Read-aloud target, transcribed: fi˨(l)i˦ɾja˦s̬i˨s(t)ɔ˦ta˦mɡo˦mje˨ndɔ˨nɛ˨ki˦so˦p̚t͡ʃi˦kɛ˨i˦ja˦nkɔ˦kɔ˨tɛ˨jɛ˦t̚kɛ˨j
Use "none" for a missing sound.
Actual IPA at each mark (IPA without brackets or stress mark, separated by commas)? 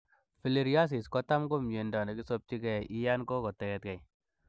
l, k